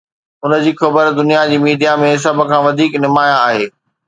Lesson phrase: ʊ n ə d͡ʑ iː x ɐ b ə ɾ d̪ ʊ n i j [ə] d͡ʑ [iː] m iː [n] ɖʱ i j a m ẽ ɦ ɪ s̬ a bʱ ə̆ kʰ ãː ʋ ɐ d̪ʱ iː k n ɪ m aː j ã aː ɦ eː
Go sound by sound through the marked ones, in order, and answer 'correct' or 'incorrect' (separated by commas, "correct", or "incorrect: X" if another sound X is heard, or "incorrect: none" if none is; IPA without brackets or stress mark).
incorrect: a, correct, incorrect: none